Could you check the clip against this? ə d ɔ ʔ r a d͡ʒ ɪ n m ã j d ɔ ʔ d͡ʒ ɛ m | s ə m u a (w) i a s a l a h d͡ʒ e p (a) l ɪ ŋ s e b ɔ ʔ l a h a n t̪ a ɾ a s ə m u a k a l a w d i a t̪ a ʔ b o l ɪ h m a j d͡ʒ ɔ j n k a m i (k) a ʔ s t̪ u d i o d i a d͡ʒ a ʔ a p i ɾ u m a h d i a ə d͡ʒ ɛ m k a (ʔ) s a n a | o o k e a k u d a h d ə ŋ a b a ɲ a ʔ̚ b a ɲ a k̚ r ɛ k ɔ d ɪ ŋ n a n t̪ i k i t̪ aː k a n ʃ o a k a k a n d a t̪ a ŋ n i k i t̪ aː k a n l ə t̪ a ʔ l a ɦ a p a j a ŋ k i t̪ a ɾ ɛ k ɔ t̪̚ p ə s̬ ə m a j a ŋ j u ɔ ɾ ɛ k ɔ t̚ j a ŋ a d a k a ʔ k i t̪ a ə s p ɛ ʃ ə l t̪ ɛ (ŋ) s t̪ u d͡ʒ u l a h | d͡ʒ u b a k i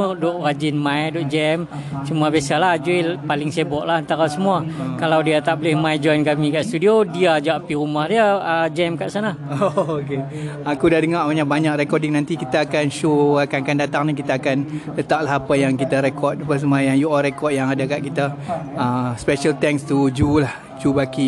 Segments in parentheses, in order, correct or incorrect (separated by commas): incorrect, correct, correct, correct, correct